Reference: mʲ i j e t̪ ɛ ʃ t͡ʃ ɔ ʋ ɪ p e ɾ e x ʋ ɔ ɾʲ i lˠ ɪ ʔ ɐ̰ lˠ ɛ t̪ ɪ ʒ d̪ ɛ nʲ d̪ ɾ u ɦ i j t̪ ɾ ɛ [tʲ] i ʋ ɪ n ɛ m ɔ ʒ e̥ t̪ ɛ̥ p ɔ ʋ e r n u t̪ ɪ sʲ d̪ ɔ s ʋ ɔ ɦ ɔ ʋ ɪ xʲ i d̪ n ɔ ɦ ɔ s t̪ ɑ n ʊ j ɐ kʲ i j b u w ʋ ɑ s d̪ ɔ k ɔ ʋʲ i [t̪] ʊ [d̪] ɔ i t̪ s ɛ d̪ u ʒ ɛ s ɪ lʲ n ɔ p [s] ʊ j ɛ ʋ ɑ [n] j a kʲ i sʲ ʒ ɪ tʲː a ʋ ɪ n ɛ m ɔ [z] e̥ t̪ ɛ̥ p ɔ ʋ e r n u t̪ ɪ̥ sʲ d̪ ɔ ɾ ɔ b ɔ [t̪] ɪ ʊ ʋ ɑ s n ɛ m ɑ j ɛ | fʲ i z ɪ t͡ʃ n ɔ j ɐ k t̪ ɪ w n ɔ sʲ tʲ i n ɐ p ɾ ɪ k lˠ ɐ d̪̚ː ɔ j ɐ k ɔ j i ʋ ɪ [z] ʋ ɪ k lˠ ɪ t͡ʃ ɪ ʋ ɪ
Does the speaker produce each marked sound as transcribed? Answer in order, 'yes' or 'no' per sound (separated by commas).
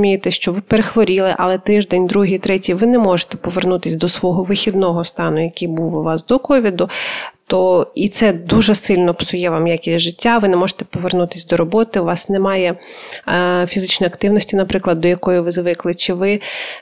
yes, no, no, yes, no, no, yes, yes